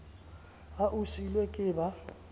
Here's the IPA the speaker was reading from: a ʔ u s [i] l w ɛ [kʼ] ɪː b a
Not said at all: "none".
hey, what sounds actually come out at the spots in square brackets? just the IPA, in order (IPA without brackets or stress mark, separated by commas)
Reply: i, kʼ